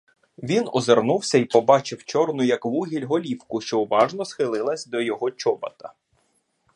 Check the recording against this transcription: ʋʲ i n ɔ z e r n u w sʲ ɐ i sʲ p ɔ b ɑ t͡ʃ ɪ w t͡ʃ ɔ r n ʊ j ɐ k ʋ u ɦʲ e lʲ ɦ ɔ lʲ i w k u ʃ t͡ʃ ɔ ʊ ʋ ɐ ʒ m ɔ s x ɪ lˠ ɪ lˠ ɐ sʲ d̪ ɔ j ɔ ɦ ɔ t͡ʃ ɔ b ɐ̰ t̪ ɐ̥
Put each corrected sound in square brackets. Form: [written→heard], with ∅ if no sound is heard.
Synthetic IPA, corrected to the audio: ʋʲ i n ɔ z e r n u w sʲ ɐ i [sʲ→∅] p ɔ b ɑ t͡ʃ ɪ w t͡ʃ ɔ r n ʊ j ɐ k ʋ u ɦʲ [e→i] lʲ ɦ ɔ lʲ i w k [u→ʊ] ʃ t͡ʃ ɔ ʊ ʋ [ɐ→ɑ] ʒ [m→n] ɔ s x ɪ lˠ ɪ lˠ ɐ sʲ d̪ ɔ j ɔ ɦ ɔ t͡ʃ ɔ b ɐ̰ t̪ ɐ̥